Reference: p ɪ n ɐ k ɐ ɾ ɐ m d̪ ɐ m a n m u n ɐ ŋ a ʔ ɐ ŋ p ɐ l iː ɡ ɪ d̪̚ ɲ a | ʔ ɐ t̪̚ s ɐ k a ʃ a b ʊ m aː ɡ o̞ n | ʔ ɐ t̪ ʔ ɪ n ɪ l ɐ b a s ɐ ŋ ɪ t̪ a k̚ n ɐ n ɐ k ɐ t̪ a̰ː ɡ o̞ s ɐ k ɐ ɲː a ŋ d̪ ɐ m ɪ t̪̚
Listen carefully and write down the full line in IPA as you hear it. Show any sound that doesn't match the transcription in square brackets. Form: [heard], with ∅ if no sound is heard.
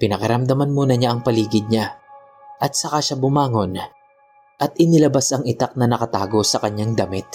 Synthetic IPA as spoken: p ɪ n ɐ k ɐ ɾ ɐ m d̪ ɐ m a n m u n ɐ [ɲ] a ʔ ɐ ŋ p ɐ l iː ɡ ɪ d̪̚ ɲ a | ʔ ɐ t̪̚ s ɐ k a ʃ a b ʊ m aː [ŋ] o̞ n | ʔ ɐ t̪ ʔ ɪ n ɪ l ɐ b a s ɐ ŋ ɪ t̪ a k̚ n ɐ n ɐ k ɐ t̪ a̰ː ɡ o̞ s ɐ k ɐ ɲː a ŋ d̪ ɐ m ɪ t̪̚